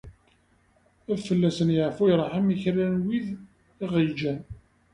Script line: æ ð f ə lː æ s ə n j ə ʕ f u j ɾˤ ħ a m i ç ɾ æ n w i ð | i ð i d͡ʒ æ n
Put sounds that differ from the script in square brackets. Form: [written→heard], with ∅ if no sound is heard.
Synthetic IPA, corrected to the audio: æ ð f ə lː æ s ə n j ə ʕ f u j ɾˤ ħ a m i ç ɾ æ n w i ð | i [ð→ʁ] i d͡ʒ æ n

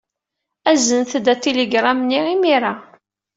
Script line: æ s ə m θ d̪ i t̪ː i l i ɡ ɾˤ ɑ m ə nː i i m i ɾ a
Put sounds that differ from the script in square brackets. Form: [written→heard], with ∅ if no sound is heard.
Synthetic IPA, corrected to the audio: æ [s→z] ə [m→n] θ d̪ [i→æ] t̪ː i l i ɡ ɾˤ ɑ m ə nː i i m i ɾ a

